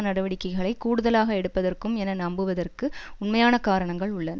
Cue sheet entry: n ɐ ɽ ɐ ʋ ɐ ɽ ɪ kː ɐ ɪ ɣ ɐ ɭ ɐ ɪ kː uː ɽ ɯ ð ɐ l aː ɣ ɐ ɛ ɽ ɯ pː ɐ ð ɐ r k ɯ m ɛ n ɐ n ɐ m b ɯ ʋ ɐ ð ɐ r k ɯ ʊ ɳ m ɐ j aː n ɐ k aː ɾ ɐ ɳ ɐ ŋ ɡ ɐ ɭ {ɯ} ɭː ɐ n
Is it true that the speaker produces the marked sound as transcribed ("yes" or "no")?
no